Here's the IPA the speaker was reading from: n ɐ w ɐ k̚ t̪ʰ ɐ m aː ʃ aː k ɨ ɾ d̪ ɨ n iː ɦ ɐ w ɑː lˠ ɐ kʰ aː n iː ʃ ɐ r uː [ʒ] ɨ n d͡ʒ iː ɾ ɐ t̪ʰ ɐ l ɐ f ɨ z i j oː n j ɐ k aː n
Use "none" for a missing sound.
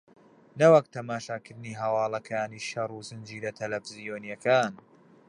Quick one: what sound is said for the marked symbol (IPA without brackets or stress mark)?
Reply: z